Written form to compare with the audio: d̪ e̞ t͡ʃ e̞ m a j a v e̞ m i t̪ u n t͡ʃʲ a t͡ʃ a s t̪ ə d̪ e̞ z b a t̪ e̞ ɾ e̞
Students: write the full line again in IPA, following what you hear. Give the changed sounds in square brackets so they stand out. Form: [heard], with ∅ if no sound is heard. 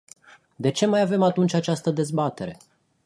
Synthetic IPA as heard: d̪ e̞ t͡ʃ e̞ m a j a v e̞ m [a] t̪ u n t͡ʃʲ a t͡ʃ a s t̪ ə d̪ e̞ z b a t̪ e̞ ɾ e̞